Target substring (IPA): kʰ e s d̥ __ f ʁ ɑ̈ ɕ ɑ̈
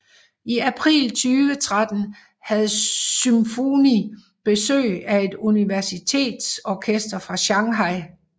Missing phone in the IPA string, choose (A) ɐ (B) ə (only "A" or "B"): A